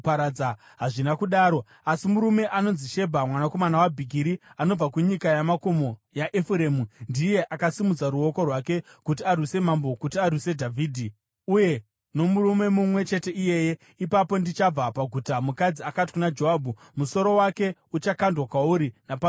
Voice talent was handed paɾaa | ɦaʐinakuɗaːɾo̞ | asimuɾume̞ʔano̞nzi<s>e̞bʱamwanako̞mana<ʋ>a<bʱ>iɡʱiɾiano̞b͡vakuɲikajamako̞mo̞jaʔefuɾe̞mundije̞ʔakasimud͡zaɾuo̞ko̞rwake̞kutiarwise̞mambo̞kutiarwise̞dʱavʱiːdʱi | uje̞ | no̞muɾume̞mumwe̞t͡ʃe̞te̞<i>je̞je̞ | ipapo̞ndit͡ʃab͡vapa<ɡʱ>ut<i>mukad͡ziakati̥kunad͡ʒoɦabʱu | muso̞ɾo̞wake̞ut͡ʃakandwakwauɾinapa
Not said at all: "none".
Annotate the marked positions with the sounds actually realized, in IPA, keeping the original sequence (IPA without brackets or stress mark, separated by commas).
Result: ʃ, w, bʱ, i, ɡʱ, a